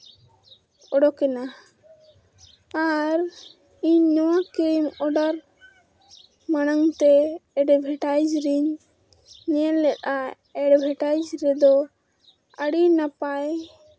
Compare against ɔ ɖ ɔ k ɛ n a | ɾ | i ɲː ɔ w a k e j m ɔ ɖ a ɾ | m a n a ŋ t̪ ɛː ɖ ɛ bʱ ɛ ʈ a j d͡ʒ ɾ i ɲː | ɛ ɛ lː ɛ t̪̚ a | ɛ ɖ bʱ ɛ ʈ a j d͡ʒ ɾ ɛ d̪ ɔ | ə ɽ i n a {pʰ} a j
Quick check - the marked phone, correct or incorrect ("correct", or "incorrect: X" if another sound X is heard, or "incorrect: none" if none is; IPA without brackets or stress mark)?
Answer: incorrect: p